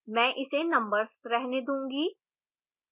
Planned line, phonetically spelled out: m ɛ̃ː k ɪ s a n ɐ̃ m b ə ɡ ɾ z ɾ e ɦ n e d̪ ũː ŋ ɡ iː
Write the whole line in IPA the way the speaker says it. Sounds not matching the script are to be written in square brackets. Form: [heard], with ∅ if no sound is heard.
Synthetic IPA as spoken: m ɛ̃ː [ʔ] ɪ s [e] n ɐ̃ m b ə [∅] ɾ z ɾ [ɛ] ɦ n e d̪ ũː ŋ ɡ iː